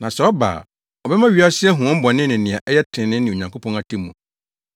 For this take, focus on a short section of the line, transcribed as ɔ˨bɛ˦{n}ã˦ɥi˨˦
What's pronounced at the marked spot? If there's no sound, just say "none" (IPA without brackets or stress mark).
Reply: m